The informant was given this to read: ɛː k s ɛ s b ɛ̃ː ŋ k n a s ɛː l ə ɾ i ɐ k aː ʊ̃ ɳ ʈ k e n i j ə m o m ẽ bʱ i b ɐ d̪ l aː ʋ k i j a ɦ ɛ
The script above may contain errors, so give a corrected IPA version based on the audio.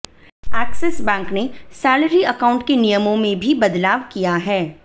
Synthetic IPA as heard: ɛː k s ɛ s b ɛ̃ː ŋ k n e s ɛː l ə ɾ i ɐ k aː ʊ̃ ɳ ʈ k e n i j ə m õ m ẽ bʱ i b ɐ d̪ l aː ʋ k i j a ɦ ɛː